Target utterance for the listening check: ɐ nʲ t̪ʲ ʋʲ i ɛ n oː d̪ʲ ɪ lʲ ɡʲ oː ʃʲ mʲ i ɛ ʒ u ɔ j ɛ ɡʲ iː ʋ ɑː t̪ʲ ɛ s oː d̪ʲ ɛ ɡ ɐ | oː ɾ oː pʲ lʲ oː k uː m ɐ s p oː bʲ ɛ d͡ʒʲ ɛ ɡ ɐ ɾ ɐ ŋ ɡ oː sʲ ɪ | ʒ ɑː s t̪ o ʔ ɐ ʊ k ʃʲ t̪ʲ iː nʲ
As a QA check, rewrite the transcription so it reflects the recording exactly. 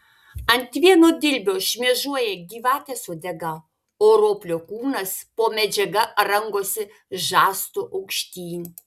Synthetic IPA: ɐ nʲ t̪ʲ ʋʲ i ɛ n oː d̪ʲ ɪ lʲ bʲ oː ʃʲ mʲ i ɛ ʒ u ɔ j ɛ ɡʲ iː ʋ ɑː t̪ʲ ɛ s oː d̪ʲ ɛ ɡ ɐ | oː ɾ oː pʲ lʲ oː k uː n ɐ s p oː mʲ ɛ d͡ʒʲ ɛ ɡ ɐ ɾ ɐ ŋ ɡ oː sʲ ɪ | ʒ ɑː s t̪ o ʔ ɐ ʊ k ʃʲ t̪ʲ iː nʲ